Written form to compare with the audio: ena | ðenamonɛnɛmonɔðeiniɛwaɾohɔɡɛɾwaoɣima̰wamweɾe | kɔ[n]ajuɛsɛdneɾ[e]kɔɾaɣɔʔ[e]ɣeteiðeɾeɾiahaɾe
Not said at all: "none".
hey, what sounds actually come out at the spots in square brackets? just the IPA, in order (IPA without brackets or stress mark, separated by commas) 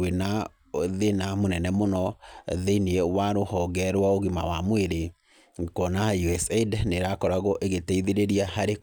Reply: n, a, e